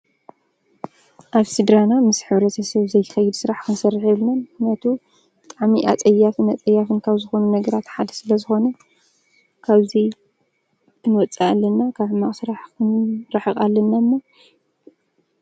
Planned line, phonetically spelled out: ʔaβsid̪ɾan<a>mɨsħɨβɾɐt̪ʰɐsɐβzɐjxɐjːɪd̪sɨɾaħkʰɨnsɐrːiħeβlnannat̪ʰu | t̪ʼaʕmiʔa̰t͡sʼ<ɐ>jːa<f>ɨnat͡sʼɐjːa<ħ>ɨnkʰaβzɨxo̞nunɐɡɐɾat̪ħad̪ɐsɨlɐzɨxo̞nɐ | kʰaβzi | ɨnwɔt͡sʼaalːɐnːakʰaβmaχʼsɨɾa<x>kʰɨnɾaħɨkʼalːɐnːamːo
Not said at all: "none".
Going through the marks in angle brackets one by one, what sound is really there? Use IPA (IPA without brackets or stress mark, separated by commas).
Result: a, ɐ, f, f, ħ